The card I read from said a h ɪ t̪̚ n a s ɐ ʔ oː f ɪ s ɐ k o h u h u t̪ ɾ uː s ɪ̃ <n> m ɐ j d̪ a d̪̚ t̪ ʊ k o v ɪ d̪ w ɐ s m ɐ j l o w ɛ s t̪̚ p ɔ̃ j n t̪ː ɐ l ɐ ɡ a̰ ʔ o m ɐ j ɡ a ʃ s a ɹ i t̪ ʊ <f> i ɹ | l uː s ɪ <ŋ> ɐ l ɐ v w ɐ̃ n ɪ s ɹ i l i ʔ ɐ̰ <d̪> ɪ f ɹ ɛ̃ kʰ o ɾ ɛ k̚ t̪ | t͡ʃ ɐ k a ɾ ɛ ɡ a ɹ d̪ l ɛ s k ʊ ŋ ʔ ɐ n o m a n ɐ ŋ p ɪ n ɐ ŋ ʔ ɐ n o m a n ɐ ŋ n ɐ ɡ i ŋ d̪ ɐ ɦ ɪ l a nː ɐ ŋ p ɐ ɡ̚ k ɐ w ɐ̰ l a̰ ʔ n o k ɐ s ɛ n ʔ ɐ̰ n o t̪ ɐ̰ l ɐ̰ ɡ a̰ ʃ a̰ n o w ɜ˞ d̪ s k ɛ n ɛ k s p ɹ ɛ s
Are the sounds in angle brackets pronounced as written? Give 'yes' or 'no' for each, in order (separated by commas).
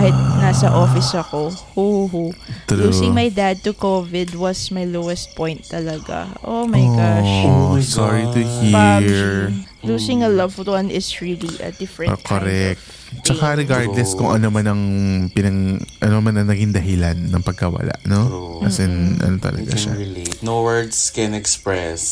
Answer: no, no, yes, yes